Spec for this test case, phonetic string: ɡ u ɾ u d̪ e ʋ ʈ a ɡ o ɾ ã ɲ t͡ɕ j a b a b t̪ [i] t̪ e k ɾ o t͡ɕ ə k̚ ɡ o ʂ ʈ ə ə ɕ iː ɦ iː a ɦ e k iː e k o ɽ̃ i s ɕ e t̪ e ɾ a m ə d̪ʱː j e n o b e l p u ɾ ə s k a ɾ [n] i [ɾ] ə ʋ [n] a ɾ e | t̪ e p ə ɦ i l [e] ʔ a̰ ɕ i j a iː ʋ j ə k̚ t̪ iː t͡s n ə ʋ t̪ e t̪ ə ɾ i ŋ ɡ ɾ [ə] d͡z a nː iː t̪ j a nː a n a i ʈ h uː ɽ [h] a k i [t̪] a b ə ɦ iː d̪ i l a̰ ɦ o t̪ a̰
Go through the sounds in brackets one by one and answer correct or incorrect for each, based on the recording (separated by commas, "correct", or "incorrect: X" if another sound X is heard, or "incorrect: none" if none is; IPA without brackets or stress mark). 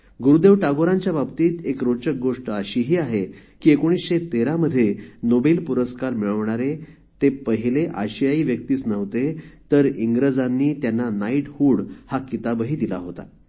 incorrect: iː, incorrect: m, incorrect: ɭ, incorrect: ɳ, correct, correct, correct, correct